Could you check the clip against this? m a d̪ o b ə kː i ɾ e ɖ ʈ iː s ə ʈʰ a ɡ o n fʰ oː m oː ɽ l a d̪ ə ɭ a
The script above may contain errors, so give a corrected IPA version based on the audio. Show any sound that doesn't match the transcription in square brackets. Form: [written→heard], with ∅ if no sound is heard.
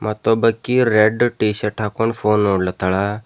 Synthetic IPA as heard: m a [d̪→t̪] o b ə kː i ɾ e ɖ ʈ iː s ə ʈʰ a [ɡ→k] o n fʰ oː [m→n] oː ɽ l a [d̪→t̪] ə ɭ a